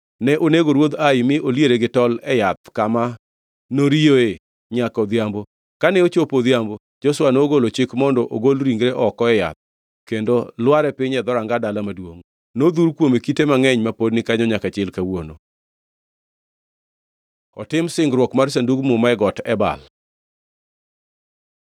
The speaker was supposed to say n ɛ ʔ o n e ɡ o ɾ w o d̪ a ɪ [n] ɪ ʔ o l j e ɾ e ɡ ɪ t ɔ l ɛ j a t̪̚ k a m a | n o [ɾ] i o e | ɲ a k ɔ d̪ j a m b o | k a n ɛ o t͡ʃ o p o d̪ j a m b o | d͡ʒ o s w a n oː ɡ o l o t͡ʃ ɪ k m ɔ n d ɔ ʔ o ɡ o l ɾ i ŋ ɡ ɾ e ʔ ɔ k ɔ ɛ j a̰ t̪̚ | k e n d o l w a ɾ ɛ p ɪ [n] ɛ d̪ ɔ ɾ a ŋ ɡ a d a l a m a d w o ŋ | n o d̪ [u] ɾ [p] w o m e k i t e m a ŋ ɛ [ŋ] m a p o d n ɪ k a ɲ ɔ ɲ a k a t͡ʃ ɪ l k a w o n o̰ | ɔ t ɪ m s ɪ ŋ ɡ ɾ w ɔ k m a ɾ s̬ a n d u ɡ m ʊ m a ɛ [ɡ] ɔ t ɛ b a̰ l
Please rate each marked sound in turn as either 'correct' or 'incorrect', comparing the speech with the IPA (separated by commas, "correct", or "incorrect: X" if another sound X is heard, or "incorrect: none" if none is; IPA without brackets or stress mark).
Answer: incorrect: m, correct, incorrect: ɲ, correct, incorrect: k, incorrect: ɲ, correct